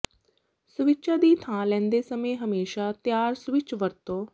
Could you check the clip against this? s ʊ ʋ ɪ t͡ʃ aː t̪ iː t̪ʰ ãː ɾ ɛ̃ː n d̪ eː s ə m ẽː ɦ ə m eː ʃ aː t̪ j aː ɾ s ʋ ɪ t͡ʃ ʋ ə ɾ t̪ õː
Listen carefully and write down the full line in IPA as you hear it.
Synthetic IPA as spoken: s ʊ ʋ ɪ t͡ʃ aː d̪ iː t̪ʰ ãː l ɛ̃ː n d̪ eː s ə m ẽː ɦ ə m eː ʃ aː t̪ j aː ɾ s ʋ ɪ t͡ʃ ʋ ə ɾ t̪ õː